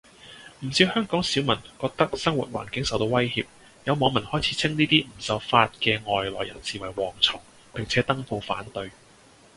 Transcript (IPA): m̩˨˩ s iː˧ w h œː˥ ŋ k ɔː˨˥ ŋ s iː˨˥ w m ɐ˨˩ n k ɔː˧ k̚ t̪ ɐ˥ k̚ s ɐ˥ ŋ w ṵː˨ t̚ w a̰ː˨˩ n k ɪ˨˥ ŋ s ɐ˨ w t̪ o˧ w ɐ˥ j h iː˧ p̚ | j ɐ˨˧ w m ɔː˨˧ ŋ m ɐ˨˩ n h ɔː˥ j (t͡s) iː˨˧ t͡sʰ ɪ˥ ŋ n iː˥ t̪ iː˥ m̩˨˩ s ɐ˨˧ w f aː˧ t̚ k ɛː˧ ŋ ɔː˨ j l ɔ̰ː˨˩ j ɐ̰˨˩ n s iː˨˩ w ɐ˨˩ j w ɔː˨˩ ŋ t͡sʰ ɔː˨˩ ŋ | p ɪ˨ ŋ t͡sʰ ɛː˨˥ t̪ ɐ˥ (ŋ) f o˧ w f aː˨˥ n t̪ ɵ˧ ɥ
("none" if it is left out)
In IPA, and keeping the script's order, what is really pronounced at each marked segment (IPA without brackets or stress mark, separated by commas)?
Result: t͡sʰ, ŋ